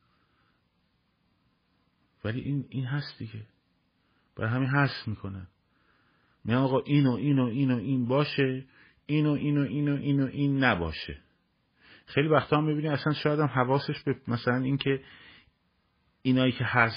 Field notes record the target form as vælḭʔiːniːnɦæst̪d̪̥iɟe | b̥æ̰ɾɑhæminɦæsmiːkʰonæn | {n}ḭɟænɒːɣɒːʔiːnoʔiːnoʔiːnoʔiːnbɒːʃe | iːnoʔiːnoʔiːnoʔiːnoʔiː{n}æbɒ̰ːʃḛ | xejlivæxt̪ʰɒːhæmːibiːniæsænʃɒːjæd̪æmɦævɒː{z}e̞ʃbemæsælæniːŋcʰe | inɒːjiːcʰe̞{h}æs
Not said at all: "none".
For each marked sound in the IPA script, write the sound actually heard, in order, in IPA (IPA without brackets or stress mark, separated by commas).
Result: m, nː, s, h